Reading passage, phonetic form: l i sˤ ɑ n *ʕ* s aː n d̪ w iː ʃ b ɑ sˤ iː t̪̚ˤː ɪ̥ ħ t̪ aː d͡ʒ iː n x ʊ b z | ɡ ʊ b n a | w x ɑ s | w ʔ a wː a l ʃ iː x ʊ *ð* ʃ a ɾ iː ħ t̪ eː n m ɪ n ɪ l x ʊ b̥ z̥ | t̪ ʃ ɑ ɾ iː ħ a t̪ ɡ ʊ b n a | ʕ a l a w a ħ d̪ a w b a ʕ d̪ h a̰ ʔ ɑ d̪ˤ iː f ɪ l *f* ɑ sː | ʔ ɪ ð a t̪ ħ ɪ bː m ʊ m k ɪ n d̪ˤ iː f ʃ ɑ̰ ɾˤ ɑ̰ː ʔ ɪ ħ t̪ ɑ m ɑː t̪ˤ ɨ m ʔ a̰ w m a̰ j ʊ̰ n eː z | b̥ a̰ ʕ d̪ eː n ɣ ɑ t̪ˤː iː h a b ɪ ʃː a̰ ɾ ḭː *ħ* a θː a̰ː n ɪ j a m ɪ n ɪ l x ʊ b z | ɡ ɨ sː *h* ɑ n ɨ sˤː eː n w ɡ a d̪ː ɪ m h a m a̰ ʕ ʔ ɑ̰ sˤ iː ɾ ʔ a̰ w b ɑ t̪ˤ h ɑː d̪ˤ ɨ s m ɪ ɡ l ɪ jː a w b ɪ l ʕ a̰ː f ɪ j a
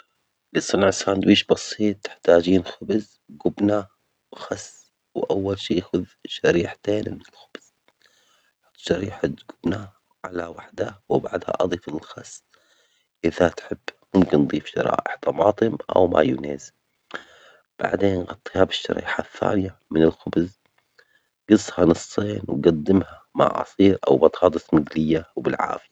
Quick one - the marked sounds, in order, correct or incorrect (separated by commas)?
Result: correct, correct, incorrect, correct, correct